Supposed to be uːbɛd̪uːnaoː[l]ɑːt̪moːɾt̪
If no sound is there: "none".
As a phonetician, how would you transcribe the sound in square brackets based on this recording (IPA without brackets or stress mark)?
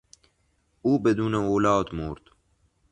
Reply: l